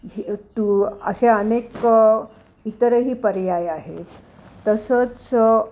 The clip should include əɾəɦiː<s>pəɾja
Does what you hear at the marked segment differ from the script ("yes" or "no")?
yes